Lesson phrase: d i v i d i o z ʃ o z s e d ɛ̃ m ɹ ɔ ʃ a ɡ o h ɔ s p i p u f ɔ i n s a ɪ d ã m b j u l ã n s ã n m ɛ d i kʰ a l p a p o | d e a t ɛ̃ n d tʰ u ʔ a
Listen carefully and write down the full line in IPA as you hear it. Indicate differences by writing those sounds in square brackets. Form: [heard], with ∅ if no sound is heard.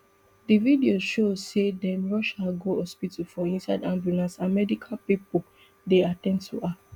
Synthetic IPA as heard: d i v i d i o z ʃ o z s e d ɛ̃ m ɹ ɔ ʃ a ɡ o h ɔ s p i [t] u f ɔ [ĩ] n s a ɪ d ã m b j u l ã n s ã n m ɛ d i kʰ a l p [i] p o | d e a t ɛ̃ n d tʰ u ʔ a